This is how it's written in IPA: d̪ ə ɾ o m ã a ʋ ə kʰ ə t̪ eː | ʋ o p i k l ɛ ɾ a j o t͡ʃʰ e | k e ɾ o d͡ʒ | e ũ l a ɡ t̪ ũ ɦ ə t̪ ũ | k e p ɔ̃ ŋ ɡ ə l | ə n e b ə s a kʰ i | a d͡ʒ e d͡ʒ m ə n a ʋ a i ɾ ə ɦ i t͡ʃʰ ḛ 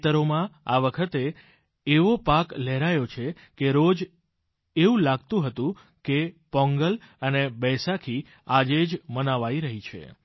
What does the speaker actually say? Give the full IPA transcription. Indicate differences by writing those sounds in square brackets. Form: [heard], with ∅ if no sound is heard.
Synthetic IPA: [t̪] ə ɾ o m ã a ʋ ə kʰ ə t̪ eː | ʋ o p [a] k l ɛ ɾ a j o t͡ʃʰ e | k e ɾ o d͡ʒ | e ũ l a ɡ t̪ ũ ɦ ə t̪ ũ | k e p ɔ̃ ŋ ɡ ə l | ə n e b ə s a kʰ i | a d͡ʒ e d͡ʒ m ə n a ʋ a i ɾ ə ɦ i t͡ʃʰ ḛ